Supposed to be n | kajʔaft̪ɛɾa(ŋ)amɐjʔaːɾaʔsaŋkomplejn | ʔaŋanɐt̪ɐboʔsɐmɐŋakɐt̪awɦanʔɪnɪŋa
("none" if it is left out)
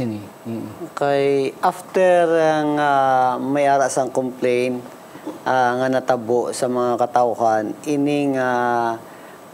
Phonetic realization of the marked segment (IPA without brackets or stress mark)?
ŋ